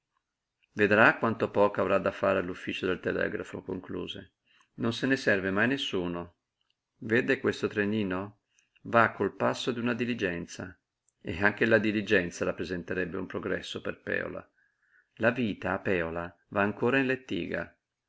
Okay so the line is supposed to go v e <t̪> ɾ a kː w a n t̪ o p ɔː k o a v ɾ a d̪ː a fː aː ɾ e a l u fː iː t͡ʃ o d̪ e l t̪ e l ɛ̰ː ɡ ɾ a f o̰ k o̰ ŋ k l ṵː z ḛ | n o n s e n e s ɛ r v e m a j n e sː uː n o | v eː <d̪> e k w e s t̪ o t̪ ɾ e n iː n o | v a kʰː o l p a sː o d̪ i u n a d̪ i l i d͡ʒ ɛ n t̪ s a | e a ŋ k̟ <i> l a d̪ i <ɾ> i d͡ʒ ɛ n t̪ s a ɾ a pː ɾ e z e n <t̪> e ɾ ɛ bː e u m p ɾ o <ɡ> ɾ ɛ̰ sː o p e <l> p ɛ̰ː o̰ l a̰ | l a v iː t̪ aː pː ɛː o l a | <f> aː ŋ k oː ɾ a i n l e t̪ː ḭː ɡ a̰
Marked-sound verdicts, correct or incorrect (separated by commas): incorrect, correct, incorrect, incorrect, correct, correct, incorrect, incorrect